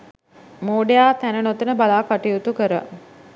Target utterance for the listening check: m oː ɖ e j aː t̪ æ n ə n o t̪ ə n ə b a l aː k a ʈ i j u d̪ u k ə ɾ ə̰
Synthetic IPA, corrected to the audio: m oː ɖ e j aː t̪ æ n ə n o t̪ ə n ə b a l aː k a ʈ i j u t̪ u k ə ɾ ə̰